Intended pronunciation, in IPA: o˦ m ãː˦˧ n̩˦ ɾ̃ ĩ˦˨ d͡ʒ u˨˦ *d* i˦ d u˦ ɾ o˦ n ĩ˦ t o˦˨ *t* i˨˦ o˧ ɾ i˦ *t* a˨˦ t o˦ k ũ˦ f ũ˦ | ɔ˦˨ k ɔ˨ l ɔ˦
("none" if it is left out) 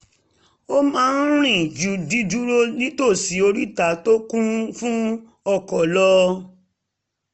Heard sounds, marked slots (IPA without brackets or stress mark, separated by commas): d, s, t